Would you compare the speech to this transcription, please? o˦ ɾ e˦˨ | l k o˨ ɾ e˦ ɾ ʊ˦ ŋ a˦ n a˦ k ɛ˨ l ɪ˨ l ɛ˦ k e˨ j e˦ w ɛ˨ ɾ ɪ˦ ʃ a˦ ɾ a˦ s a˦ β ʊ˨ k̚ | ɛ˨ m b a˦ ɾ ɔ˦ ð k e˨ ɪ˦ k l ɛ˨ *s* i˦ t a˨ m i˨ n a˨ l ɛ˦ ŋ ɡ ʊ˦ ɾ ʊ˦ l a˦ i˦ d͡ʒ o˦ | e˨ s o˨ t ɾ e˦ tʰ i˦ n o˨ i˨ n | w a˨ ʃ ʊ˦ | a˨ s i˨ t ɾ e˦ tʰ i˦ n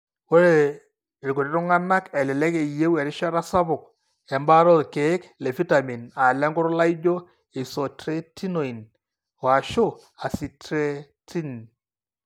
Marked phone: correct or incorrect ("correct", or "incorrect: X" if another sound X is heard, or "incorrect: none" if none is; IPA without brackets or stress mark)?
incorrect: f